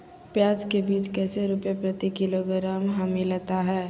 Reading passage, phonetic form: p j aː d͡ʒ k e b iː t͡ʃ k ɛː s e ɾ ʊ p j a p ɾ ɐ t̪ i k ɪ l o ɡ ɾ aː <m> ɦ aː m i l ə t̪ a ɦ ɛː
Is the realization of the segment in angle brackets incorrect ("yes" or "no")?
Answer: no